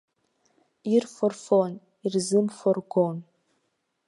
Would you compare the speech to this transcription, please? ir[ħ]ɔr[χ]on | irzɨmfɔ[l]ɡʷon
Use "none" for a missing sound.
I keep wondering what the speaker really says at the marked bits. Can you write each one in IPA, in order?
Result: f, f, r

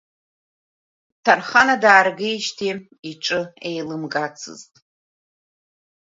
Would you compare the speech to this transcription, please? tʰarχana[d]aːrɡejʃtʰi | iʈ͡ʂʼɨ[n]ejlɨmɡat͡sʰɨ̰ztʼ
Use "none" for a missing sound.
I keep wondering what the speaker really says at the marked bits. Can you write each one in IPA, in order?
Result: d, none

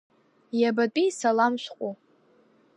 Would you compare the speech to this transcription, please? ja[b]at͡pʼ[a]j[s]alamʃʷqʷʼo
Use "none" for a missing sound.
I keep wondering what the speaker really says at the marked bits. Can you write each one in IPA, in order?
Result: b, i, s

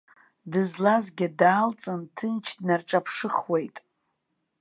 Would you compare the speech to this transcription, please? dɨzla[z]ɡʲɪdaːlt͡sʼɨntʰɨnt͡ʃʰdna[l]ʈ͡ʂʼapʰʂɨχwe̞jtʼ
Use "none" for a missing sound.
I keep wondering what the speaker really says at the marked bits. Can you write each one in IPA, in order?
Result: z, r

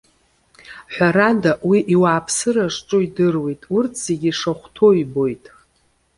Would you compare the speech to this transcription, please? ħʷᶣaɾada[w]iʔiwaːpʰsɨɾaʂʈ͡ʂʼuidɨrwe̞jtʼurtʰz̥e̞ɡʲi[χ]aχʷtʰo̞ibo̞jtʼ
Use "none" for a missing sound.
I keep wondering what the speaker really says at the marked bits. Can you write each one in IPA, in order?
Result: w, ʂ

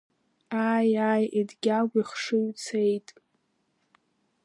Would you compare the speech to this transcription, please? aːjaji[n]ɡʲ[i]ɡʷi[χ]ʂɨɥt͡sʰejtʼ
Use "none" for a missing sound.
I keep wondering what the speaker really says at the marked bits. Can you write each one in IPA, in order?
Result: d, a, χ

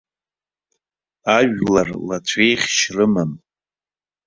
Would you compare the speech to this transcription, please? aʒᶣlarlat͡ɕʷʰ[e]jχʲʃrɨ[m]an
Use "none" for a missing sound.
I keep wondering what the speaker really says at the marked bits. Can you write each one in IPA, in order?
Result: e, m

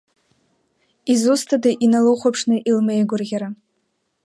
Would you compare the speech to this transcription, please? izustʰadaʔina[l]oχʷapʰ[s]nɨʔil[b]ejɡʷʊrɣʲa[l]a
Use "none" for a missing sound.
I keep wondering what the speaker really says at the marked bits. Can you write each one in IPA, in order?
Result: l, ʂ, m, ɾ

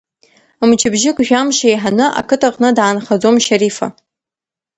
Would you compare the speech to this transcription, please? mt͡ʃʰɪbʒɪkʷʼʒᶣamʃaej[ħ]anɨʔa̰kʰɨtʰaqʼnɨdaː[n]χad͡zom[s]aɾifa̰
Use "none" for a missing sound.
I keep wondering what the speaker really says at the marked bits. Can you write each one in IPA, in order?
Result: ħ, n, ʃ

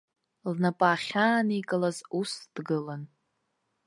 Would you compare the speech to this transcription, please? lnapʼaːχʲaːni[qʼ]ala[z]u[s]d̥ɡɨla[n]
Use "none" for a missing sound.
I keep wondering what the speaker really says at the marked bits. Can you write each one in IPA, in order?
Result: kʼ, z, s, n

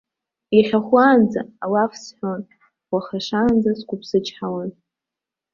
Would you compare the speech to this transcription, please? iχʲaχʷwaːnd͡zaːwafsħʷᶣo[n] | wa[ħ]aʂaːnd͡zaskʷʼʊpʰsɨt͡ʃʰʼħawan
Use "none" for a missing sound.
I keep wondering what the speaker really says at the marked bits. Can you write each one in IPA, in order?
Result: n, χ

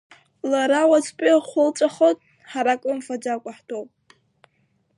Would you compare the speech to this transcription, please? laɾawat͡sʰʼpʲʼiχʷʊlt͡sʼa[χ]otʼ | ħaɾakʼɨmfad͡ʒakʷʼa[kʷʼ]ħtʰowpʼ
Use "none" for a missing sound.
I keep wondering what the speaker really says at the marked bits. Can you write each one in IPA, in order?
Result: χ, none

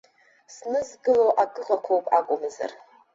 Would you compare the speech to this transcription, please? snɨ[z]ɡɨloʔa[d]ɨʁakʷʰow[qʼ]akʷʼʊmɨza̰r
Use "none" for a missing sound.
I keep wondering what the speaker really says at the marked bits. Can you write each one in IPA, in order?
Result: z, ɡ, pʼ

